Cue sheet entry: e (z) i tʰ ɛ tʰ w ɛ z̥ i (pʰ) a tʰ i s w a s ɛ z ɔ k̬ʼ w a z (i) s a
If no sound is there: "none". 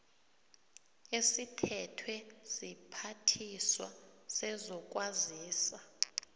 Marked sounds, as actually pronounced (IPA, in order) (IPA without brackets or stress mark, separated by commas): s, pʰ, iː